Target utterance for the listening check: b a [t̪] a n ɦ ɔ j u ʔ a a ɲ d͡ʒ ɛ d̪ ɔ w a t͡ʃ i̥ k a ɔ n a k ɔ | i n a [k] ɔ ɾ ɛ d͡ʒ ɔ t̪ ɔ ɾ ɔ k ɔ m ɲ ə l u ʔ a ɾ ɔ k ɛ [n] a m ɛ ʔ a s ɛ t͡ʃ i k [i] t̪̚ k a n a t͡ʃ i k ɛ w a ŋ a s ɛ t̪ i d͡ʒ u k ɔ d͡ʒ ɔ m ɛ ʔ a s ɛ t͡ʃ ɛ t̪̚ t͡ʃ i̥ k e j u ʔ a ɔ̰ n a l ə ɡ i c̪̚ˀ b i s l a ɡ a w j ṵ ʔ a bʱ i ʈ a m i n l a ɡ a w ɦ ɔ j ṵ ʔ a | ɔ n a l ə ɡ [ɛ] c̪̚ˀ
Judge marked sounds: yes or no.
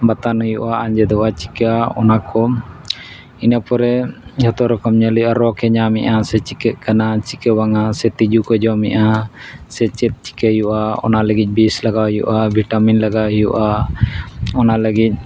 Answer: yes, no, no, no, no

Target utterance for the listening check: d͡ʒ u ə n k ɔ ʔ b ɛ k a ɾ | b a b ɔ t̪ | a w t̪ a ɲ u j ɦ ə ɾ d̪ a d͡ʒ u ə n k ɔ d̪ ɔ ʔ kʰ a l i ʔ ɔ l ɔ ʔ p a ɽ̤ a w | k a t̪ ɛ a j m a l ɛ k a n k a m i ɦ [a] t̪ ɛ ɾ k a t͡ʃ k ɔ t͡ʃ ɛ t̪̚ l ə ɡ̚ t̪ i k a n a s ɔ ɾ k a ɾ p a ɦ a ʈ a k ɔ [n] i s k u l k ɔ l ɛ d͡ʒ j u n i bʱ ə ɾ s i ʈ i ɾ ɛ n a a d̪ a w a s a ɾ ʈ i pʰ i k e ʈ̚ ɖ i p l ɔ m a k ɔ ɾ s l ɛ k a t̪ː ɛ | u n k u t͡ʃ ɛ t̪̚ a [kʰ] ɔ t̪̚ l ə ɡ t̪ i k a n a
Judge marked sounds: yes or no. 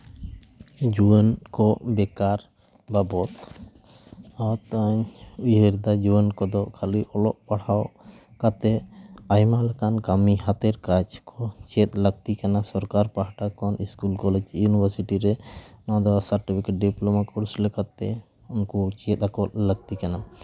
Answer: yes, yes, no

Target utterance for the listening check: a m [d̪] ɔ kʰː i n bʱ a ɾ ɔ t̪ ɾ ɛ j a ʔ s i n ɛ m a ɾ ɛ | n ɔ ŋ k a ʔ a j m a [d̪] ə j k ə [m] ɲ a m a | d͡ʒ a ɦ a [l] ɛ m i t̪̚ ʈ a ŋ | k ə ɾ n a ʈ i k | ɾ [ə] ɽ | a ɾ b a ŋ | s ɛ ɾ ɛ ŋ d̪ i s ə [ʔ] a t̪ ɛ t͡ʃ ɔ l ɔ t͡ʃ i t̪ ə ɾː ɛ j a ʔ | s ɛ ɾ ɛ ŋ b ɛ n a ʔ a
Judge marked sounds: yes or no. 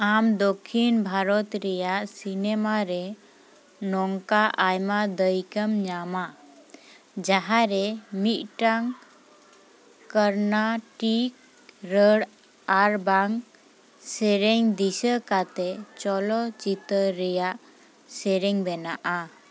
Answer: yes, yes, yes, no, yes, no

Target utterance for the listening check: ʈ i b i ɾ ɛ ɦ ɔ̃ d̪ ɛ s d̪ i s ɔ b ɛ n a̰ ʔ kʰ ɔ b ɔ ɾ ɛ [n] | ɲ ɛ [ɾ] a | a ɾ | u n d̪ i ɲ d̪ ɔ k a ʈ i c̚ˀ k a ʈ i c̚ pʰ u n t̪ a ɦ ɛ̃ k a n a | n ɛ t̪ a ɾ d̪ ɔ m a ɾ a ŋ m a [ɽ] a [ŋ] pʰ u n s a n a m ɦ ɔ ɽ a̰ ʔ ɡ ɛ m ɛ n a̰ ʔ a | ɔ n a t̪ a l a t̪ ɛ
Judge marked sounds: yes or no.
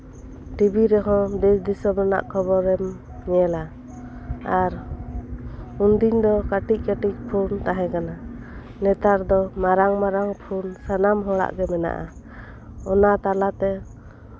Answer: no, no, no, yes

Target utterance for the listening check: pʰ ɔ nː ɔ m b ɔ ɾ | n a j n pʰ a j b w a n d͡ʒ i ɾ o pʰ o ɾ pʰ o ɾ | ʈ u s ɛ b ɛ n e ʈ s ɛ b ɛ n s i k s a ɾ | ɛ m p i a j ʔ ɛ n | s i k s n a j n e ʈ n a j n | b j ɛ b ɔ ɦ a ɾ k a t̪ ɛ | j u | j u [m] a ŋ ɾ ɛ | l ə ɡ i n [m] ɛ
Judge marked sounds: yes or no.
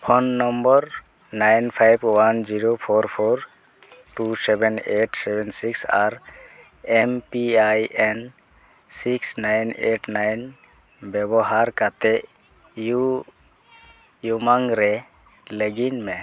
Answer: yes, yes

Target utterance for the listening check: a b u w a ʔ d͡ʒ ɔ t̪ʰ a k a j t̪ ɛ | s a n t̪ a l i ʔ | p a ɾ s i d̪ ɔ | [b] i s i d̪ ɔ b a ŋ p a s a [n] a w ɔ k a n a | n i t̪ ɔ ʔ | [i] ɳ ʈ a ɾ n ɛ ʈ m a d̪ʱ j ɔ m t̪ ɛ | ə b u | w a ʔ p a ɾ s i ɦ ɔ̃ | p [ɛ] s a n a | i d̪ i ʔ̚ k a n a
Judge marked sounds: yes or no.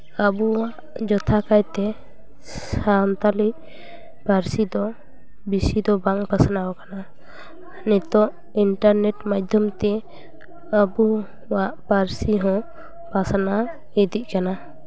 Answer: yes, yes, yes, no

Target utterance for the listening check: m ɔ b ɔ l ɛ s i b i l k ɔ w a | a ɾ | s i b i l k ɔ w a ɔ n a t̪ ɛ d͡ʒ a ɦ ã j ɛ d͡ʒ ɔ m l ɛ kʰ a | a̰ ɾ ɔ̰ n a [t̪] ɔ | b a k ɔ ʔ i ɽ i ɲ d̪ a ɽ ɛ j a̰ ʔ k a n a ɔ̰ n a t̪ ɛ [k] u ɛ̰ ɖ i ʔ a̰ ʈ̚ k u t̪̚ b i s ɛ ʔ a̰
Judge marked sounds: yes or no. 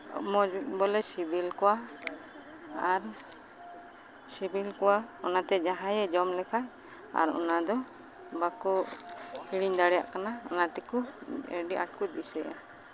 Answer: no, yes

